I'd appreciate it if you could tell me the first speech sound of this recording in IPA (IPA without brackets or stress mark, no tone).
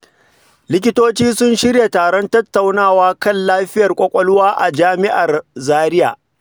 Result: l